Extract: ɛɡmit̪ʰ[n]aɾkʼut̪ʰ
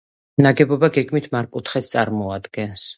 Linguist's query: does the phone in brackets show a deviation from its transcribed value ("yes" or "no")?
yes